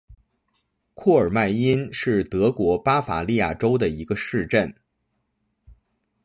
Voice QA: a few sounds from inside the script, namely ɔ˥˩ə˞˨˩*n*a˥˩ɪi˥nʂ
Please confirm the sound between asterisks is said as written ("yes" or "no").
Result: no